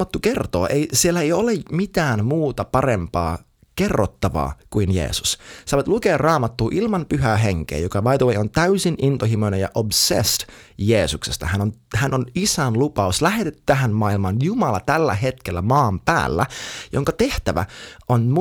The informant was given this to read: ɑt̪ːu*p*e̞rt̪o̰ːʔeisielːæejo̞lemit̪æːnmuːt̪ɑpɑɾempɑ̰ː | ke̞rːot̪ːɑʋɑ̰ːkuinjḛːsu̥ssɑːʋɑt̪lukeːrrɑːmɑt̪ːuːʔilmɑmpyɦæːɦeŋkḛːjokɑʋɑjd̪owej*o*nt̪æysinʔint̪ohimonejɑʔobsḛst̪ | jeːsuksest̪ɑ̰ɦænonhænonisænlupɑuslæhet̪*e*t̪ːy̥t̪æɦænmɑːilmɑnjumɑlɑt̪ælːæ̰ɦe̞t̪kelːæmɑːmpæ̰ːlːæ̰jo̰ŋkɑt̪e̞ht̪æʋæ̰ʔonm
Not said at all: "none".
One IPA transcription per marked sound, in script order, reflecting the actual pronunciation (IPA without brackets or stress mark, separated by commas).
k, o, e